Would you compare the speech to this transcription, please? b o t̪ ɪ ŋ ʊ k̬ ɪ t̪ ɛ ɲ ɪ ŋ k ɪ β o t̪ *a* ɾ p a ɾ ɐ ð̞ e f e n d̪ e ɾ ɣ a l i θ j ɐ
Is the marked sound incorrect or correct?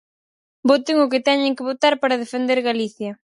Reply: correct